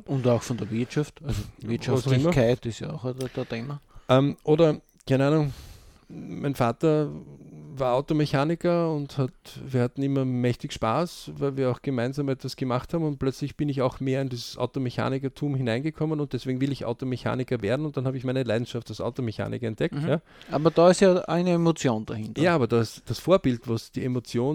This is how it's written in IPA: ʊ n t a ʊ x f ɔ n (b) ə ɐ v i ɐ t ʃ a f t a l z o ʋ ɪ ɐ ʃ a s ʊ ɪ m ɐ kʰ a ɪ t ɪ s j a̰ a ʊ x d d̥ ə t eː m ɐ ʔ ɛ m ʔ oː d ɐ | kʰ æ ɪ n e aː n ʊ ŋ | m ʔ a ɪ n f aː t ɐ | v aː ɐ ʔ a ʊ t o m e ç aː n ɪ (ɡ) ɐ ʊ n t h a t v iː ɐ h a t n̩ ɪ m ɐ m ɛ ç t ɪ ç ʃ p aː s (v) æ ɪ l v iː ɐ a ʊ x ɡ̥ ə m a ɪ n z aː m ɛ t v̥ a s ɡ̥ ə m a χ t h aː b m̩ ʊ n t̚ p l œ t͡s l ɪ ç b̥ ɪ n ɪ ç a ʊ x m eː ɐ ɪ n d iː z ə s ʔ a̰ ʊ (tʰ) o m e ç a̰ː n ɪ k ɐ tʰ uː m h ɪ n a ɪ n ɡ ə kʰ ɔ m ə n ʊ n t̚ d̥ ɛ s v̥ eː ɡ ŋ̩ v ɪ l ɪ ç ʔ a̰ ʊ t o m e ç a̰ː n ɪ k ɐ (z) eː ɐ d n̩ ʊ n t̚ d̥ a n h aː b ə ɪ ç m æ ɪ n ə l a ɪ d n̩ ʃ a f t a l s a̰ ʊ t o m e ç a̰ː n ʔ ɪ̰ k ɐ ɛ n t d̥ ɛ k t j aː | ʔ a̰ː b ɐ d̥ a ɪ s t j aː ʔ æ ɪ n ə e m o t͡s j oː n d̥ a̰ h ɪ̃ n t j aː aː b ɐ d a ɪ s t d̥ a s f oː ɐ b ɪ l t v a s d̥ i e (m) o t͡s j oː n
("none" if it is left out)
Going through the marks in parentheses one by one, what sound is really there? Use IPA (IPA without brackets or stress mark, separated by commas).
d, k, v, t, v, m